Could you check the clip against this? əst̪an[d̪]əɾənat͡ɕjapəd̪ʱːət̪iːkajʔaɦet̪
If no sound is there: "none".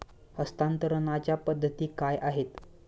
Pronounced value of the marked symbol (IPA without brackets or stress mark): t̪